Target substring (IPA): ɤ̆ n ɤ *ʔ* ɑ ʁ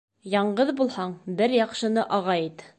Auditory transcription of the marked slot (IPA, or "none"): ʔ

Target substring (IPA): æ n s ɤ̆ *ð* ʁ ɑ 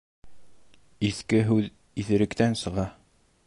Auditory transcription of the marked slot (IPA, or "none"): none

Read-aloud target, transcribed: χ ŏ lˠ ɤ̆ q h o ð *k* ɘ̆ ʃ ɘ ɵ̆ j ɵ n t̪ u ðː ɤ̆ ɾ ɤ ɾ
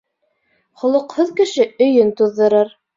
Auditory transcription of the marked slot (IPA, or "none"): k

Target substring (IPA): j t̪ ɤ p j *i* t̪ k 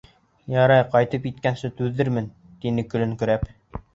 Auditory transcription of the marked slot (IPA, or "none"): i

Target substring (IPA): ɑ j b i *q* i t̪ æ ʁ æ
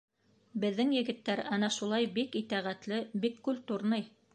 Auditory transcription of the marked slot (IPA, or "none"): k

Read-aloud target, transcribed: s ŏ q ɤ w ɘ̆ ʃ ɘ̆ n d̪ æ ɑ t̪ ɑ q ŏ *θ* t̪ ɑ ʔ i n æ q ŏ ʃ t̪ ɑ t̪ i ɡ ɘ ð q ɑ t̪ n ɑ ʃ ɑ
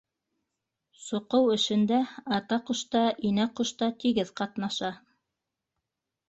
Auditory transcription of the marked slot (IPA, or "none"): ʃ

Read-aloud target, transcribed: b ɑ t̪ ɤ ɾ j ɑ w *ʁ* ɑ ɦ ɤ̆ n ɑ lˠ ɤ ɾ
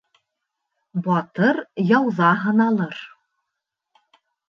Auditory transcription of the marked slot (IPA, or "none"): ð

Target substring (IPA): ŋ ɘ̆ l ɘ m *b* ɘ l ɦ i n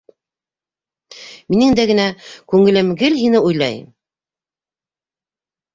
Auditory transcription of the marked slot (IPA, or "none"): ɡ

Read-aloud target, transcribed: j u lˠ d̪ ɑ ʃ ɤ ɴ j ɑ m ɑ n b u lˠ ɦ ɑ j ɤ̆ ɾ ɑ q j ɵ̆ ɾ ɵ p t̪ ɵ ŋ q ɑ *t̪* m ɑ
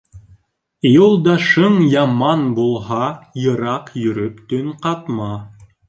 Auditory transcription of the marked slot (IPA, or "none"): t̪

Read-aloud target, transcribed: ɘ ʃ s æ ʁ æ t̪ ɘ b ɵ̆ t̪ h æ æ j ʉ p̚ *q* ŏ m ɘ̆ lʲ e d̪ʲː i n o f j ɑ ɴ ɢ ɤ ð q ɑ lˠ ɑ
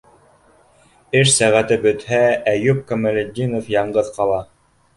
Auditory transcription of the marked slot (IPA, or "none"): k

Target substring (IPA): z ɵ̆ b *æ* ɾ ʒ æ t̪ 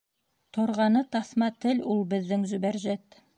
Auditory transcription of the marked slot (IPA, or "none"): æ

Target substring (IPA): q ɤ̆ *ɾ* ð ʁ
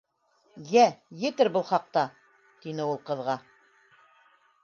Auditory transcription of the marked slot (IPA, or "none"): none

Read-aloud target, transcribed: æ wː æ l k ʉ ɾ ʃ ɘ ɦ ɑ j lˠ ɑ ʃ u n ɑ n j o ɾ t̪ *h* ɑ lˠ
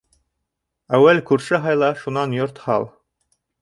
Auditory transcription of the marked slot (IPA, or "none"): h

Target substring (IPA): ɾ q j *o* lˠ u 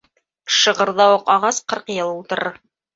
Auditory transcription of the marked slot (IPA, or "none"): ɤ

